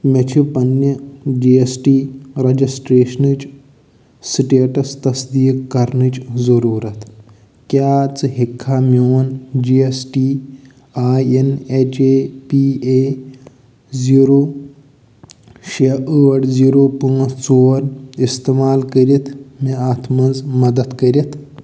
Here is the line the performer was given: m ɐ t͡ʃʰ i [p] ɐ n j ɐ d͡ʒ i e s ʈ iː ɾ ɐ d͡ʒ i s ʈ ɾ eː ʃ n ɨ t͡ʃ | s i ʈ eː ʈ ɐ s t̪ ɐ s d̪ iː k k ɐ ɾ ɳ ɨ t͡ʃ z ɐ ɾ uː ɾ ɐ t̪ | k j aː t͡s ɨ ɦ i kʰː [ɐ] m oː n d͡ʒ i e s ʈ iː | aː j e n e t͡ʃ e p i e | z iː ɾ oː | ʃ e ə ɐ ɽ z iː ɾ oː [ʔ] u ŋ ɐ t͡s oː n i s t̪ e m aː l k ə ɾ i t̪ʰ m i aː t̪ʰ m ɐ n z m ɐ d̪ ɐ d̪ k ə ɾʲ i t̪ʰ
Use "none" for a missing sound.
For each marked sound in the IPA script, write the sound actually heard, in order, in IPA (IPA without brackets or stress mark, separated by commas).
p, a, p